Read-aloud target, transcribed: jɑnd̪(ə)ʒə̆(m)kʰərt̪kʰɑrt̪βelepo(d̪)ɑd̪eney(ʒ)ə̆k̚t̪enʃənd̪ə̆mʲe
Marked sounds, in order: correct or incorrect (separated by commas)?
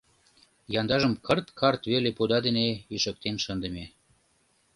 incorrect, correct, correct, incorrect